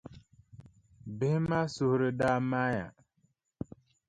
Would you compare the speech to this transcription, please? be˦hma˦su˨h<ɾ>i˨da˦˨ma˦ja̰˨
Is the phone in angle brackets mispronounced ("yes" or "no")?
no